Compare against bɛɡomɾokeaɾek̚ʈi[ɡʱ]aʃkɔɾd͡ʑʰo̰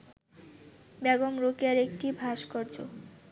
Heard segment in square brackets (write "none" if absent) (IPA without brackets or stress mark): bʱ